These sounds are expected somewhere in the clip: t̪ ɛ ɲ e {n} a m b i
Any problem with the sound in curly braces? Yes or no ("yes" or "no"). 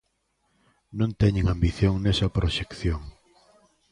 yes